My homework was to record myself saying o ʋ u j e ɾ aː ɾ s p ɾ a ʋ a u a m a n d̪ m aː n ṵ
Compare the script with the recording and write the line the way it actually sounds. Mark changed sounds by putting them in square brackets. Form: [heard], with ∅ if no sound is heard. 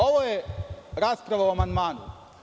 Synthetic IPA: o ʋ [o] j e ɾ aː [∅] s p ɾ a ʋ a u a m a n d̪ m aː n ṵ